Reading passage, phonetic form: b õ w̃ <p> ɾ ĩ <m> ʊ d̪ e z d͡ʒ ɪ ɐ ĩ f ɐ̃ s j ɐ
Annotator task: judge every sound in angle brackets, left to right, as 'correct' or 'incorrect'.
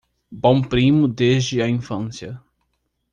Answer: correct, correct

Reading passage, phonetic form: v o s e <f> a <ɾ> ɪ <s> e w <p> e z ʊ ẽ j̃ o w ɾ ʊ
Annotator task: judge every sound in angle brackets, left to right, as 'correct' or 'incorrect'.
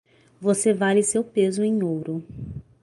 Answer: incorrect, incorrect, correct, correct

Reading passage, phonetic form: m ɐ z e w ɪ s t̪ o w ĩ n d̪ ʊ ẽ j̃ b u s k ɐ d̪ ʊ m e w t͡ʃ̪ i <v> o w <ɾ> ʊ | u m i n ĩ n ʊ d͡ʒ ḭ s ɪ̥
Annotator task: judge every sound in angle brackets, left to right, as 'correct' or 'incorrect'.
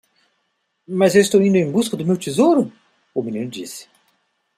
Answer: incorrect, correct

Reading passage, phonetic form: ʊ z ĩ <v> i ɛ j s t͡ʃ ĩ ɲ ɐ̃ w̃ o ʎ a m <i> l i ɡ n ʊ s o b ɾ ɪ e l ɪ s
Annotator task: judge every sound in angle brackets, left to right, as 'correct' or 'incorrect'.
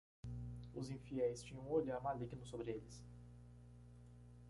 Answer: incorrect, incorrect

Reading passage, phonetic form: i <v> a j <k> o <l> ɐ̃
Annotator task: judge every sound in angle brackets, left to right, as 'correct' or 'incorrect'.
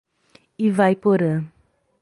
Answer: correct, incorrect, incorrect

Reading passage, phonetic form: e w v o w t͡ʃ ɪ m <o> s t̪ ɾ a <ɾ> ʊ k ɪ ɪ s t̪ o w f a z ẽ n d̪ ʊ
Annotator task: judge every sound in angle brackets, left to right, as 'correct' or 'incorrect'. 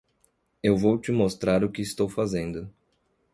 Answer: correct, correct

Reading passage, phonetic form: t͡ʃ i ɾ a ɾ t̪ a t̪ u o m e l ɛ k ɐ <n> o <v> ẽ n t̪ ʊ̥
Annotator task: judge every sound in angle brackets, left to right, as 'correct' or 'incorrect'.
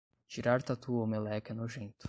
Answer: correct, incorrect

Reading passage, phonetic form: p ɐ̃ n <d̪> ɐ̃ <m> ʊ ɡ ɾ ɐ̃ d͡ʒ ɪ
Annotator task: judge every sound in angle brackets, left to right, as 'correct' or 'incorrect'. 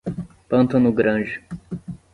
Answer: incorrect, incorrect

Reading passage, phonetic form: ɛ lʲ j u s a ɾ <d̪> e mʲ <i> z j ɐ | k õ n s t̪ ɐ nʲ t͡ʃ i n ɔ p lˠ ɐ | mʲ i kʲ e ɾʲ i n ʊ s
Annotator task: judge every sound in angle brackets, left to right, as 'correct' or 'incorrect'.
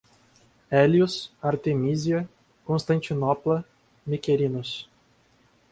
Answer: incorrect, correct

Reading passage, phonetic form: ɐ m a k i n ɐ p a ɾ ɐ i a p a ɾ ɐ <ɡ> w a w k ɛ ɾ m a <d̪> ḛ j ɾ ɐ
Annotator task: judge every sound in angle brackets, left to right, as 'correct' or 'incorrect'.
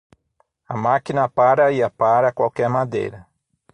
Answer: incorrect, correct

